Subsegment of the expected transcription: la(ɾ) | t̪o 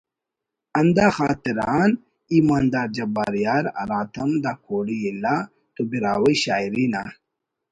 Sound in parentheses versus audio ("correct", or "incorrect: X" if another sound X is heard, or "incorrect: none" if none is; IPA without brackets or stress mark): incorrect: none